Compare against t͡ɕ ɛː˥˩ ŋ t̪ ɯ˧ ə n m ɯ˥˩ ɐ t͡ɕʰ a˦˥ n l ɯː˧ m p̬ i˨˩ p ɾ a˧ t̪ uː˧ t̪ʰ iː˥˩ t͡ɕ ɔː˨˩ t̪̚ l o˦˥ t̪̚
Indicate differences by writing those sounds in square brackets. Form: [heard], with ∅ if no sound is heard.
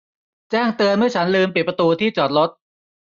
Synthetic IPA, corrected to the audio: t͡ɕ ɛː˥˩ ŋ t̪ ɯ˧ ə n m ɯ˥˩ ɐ t͡ɕʰ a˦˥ n l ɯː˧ m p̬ i˨˩ p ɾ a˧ t̪ uː˧ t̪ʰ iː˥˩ t͡ɕ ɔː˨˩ t̪̚ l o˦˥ t̪̚